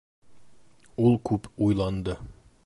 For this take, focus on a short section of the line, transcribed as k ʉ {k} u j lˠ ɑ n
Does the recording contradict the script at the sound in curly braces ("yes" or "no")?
yes